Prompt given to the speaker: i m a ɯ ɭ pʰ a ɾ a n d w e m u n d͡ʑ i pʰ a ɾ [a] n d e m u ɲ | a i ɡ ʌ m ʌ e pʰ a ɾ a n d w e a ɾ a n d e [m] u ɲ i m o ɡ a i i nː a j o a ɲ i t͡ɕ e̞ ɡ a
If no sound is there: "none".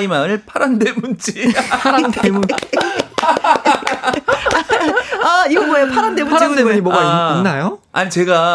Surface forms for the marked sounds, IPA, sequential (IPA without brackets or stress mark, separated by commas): a, m